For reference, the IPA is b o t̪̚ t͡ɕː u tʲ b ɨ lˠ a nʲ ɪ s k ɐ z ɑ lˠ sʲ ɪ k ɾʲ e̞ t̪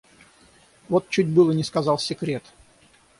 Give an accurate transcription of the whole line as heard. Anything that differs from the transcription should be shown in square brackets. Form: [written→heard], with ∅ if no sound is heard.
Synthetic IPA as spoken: [b→v] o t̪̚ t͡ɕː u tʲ b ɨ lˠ [a→ə] nʲ ɪ s k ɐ z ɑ lˠ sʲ ɪ k ɾʲ e̞ t̪